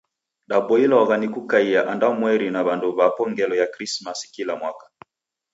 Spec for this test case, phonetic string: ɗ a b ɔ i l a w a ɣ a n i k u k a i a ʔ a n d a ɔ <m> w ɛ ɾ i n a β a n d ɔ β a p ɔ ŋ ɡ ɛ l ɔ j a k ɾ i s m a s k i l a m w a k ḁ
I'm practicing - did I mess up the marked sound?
no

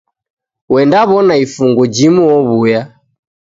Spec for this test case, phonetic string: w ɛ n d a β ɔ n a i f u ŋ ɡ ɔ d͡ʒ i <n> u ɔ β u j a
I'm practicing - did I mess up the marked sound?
yes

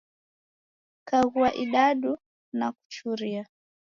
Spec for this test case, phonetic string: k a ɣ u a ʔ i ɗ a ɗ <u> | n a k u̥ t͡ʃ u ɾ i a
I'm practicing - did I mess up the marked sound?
no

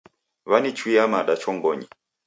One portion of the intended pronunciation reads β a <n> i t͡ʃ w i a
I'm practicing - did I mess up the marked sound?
no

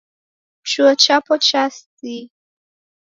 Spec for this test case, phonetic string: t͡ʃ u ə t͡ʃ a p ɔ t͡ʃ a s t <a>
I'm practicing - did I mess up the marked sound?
yes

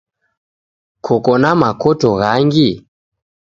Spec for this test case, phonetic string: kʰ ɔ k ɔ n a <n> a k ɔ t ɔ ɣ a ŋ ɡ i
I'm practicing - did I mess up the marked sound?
yes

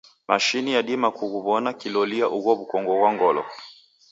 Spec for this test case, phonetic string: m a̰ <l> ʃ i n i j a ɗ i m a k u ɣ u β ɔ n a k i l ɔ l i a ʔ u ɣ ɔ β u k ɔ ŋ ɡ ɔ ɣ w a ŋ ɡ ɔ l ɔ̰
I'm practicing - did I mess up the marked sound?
yes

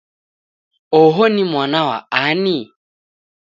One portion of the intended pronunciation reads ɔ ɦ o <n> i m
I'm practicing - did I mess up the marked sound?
no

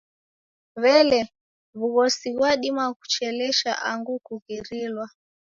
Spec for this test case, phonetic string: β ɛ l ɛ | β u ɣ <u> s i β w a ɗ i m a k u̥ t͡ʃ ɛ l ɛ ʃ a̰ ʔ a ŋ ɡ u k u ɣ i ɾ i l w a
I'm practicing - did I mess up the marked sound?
yes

